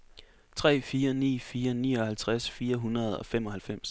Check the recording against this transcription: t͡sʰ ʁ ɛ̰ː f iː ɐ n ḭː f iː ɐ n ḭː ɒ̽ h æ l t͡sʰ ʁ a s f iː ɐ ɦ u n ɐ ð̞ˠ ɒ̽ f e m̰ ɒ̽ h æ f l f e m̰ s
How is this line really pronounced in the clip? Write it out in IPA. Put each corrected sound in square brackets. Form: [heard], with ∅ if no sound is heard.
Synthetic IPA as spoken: t͡sʰ ʁ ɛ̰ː f iː ɐ n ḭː f iː ɐ n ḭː ɒ̽ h æ l t͡sʰ ʁ a s f iː ɐ ɦ u n ɐ ð̞ˠ ɒ̽ f e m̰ ɒ̽ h æ [∅] l f e m̰ s